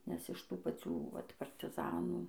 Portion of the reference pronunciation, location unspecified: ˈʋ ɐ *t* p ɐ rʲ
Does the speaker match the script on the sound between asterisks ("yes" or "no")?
yes